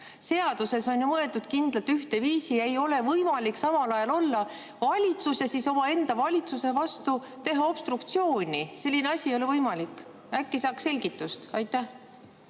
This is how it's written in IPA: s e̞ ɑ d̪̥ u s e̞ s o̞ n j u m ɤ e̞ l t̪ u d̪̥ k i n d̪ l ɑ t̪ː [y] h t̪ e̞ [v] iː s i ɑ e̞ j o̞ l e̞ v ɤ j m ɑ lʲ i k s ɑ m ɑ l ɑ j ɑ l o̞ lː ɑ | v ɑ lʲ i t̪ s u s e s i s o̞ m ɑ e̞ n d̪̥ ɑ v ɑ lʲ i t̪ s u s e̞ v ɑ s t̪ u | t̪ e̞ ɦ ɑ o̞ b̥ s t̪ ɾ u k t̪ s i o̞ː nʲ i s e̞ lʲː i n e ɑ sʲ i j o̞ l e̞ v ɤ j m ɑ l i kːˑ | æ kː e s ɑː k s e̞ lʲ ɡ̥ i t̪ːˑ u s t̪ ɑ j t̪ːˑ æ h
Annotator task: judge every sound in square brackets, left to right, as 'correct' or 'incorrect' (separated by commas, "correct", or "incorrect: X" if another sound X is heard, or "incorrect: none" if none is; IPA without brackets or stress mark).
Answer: correct, correct